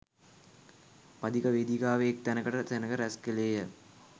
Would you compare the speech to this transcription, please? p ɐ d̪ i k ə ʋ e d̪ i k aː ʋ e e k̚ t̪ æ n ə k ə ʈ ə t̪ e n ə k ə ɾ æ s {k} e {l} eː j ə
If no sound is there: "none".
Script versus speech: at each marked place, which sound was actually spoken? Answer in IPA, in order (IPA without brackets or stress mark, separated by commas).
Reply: k, l